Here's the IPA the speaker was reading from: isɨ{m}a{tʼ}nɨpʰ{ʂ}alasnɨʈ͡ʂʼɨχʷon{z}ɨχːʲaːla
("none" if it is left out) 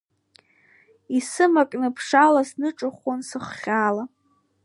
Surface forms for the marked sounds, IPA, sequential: m, kʼ, ʂ, s

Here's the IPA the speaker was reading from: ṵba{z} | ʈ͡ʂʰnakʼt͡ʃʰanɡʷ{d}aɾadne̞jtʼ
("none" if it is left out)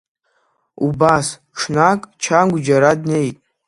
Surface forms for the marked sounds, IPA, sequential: s, d͡ʒ

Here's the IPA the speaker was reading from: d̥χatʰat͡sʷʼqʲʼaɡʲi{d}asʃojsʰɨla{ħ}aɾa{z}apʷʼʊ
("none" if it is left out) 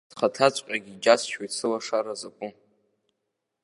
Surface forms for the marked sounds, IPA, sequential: d͡ʒ, ʂ, z

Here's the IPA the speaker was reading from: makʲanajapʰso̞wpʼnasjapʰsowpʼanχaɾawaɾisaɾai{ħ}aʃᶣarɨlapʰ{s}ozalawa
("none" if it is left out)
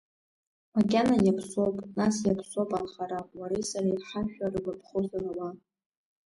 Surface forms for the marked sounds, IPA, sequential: ħ, χ

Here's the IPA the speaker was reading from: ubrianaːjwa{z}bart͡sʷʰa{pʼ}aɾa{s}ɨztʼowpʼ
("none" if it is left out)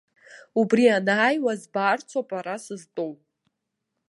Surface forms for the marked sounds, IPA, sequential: z, pʼ, s

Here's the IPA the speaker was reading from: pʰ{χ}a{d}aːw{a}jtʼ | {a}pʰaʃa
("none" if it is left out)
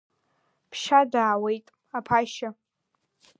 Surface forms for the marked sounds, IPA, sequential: ʃ, d, e, a

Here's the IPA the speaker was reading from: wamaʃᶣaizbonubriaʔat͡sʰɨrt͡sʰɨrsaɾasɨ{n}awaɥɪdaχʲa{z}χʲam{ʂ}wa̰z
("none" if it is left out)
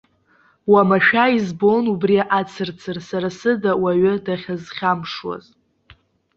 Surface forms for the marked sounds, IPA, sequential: d, z, ʂ

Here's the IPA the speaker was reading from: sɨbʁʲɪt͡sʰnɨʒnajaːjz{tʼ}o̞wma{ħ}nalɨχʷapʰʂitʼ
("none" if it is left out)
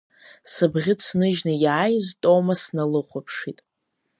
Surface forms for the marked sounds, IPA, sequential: tʼ, s

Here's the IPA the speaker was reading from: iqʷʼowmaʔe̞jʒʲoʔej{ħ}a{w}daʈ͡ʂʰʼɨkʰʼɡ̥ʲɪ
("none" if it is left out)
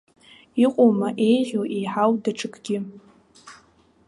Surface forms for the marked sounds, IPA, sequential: ħ, w

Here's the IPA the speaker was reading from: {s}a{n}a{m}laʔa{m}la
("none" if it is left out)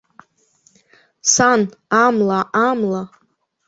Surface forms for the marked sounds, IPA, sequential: s, n, m, m

